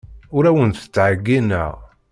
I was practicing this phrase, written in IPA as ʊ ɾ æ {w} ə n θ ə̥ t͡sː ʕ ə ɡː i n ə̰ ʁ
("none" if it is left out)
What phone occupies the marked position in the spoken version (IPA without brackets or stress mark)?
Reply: w